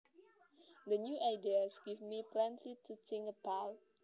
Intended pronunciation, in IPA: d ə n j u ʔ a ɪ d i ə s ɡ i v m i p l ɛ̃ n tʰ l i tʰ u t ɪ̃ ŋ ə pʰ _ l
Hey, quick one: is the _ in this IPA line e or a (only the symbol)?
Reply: a